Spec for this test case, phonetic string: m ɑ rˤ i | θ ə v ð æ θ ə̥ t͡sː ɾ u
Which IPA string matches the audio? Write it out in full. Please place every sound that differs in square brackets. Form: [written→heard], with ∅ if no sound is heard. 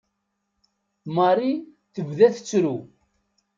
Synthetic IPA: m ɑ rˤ i | θ ə v ð æ θ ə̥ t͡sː ɾ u